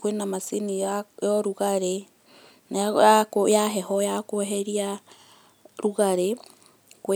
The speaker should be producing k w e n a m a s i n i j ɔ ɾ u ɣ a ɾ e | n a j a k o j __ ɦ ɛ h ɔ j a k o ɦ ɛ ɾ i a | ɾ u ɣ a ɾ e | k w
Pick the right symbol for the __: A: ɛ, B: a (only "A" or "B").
B